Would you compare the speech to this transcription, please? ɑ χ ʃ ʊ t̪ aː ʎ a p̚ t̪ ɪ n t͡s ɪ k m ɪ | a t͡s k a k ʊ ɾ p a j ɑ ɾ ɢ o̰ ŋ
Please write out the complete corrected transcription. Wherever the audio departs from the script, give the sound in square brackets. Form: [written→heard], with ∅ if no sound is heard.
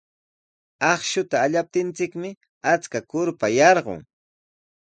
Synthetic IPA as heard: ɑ χ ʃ ʊ t̪ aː ʎ a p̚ t̪ ɪ n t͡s ɪ k m ɪ | a t͡s k a k ʊ ɾ p a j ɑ ɾ ɢ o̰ ŋ

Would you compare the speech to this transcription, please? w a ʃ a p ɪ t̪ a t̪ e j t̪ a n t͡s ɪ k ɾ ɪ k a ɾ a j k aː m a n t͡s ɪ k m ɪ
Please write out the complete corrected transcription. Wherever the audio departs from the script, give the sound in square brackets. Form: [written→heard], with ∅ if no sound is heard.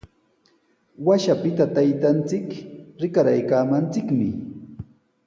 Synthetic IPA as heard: w a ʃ a p ɪ t̪ a t̪ [e→a] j t̪ a n t͡s ɪ k ɾ ɪ k a ɾ a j k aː m a n t͡s ɪ k m ɪ

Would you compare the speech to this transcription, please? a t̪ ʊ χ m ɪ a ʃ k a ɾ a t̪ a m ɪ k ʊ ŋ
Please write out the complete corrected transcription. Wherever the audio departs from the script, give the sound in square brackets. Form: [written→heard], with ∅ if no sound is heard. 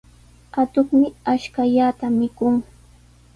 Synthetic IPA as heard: a t̪ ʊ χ m ɪ a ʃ k a [ɾ→ʎ] a t̪ a m ɪ k ʊ ŋ

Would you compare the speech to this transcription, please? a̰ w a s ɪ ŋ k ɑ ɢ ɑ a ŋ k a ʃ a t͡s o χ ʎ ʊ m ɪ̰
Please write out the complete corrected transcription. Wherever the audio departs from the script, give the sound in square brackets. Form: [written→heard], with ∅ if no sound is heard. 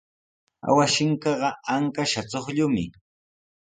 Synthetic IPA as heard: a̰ w a [s→ʃ] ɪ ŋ k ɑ ɢ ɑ a ŋ k a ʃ a t͡s o χ ʎ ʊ m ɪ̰

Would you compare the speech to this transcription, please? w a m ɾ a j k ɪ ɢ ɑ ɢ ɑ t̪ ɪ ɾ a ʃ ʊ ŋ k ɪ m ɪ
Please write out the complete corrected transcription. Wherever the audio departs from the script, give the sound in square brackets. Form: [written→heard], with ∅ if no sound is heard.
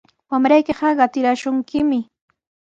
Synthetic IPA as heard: w a m ɾ a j k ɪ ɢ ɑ ɢ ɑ t̪ ɪ ɾ a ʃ ʊ ŋ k ɪ m ɪ

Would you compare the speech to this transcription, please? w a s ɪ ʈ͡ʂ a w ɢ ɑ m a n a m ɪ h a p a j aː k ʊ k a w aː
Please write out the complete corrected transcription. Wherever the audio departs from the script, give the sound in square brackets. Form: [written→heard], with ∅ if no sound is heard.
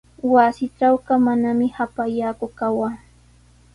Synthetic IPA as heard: w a s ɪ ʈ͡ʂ a w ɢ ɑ m a n a m ɪ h a p a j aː k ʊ k a w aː

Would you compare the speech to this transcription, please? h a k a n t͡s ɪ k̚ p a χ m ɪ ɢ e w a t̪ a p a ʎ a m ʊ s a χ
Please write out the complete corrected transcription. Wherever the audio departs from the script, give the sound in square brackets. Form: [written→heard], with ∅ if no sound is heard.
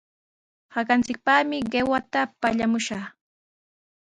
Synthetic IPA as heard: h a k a n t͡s ɪ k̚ p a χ m ɪ ɢ e w a t̪ a p a ʎ a m ʊ [s→ʃ] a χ

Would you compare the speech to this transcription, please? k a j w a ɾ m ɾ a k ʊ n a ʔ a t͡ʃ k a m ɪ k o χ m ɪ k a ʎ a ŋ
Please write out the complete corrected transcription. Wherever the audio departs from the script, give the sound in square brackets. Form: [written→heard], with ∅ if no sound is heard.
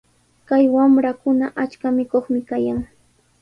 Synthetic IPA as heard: k a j w a [ɾ→∅] m ɾ a k ʊ n a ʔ a t͡ʃ k a m ɪ k o χ m ɪ k a [ʎ→j] a ŋ

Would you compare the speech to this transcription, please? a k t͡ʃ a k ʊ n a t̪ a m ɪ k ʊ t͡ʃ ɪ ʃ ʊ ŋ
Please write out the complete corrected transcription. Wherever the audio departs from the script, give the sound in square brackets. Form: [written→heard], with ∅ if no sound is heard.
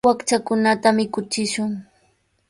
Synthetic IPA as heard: a k t͡ʃ a k ʊ n a t̪ a m ɪ k ʊ t͡ʃ ɪ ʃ ʊ ŋ

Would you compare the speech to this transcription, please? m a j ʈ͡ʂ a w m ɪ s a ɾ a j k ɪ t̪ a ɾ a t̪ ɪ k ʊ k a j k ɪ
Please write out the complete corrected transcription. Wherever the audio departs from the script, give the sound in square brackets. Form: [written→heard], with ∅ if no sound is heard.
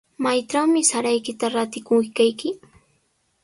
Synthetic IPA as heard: m a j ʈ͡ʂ a w m ɪ s a ɾ a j k ɪ t̪ a ɾ a t̪ ɪ k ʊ k a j k ɪ

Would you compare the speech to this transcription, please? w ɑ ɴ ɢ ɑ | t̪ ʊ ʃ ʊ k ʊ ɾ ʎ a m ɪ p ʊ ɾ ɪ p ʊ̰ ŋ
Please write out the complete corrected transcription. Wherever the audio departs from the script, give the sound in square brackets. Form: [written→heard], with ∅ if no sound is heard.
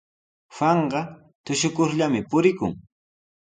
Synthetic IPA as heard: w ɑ ɴ ɢ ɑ | t̪ ʊ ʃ ʊ k ʊ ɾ ʎ a m ɪ p ʊ ɾ ɪ [p→k] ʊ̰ ŋ

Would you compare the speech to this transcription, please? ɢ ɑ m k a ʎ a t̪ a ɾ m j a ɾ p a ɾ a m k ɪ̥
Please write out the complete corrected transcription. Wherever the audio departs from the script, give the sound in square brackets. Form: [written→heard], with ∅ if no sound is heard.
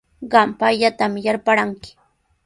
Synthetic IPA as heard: ɢ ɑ m [k→p] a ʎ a t̪ a [ɾ→∅] m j a ɾ p a ɾ a [m→ŋ] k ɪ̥

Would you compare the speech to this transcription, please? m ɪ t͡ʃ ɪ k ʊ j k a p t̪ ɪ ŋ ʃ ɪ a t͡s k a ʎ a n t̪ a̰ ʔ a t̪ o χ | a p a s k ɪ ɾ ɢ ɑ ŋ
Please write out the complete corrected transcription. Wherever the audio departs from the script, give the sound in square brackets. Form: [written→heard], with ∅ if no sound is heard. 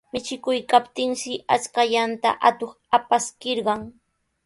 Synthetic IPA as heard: m ɪ t͡ʃ ɪ k ʊ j k a p t̪ ɪ ŋ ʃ ɪ a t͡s k a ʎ a n t̪ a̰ ʔ a t̪ o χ | a p a s k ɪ ɾ ɢ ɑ ŋ

